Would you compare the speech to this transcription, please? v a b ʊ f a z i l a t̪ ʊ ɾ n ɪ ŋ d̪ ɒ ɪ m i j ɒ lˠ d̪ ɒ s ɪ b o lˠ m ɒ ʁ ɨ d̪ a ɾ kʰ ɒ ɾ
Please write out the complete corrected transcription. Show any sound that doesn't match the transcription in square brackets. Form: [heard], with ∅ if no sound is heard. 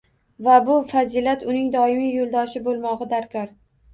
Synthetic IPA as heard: v a b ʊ f a z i l a t̪ ʊ [∅] n ɪ ŋ d̪ ɒ ɪ m i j [o] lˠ d̪ ɒ [ʃ] ɪ b o lˠ m ɒ ʁ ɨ d̪ a ɾ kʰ ɒ ɾ